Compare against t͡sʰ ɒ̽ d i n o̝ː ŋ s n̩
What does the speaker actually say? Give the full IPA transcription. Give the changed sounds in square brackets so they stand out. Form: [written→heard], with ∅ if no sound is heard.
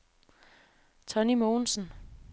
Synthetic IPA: t͡sʰ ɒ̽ [d→n] i [n→m] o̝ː [ŋ→n] s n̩